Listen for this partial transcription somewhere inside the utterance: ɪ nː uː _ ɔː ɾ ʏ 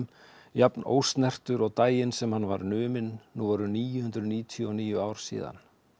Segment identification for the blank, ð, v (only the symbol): v